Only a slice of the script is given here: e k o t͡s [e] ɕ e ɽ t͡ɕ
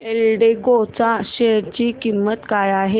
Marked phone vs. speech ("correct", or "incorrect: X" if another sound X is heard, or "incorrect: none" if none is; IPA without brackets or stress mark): incorrect: a